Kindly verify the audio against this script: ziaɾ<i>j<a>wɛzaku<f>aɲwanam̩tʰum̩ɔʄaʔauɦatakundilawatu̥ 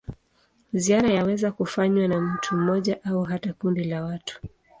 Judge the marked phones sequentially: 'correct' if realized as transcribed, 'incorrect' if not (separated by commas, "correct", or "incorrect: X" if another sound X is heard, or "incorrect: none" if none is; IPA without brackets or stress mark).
incorrect: a, correct, correct